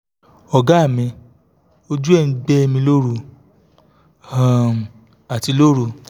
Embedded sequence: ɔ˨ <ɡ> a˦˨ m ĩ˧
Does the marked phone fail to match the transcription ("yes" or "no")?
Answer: no